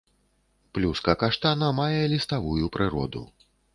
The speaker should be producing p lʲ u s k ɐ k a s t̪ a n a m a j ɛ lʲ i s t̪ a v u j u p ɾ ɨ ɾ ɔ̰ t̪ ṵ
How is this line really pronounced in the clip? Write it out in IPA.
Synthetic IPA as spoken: p lʲ u s k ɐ k a ʂ t̪ a n ɐ m a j ɛ lʲ i s t̪ a v u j u p ɾ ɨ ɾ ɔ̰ d̪ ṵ

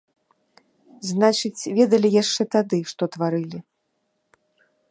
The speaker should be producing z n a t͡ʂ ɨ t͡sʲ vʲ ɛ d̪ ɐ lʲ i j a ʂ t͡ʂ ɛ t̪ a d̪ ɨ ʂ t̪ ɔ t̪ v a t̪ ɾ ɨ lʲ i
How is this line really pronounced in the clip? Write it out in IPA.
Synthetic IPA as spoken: z n a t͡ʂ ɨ t͡sʲ vʲ ɛ d̪ ɐ lʲ i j a ʂ t͡ʂ ɛ t̪ a d̪ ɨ ʂ t̪ ɔ t̪ v a ɾ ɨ lʲ i

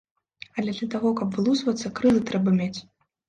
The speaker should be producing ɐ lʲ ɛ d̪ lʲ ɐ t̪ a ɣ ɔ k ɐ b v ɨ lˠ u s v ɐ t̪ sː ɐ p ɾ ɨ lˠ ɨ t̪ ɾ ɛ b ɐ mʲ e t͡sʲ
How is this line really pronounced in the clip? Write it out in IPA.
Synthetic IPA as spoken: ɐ lʲ ɛ d̪ lʲ ɐ t̪ a ɣ ɔ k ɐ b v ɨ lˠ u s v ɐ t̪ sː ɐ k ɾ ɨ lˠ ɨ t̪ ɾ ɛ b ɐ mʲ e t͡sʲ

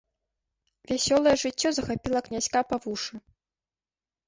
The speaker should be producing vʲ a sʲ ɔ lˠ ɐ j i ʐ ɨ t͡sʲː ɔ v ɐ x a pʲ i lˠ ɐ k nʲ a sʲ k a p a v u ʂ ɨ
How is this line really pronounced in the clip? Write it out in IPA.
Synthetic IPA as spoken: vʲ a sʲ ɔ lˠ ɐ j ɛ ʐ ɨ t͡sʲː ɔ z ɐ x a pʲ i lˠ ɐ k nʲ a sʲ k a p a v u ʂ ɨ

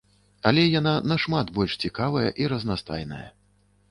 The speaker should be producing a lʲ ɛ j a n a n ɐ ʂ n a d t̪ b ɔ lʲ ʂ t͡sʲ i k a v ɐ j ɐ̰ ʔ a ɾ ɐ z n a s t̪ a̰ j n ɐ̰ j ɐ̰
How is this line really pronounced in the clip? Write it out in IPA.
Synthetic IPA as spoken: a lʲ ɛ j a n a n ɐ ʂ m a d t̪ b ɔ lʲ ʂ t͡sʲ i k a v ɐ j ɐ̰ ʔ i ɾ ɐ z n a s t̪ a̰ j n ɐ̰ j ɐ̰

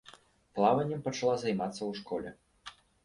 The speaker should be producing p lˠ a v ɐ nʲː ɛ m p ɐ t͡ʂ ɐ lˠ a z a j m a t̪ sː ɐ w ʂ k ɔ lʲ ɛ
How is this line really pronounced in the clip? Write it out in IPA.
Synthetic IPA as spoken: p lˠ a v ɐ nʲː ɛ m p ɐ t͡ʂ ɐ lˠ a z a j m a t̪ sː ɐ w ʂ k ɔ lʲ ɛ

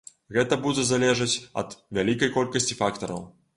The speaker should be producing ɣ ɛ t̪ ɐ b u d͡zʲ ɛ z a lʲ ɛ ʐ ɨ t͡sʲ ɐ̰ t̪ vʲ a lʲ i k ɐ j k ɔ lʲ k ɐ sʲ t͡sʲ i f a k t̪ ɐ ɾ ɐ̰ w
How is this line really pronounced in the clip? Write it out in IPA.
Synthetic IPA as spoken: ɣ ɛ t̪ ɐ b u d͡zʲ ɛ z a lʲ ɛ ʐ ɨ t͡sʲ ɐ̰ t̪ vʲ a lʲ i k ɐ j k ɔ lʲ k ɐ sʲ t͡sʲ i f a k t̪ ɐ ɾ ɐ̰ w

